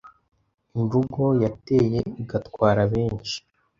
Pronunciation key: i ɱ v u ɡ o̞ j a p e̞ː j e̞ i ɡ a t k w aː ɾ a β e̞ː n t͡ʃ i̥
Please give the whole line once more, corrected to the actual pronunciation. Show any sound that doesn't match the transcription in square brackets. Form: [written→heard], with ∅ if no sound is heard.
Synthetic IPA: i ɱ v u ɡ o̞ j a [p→t] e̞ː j e̞ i ɡ a t k w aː ɾ a β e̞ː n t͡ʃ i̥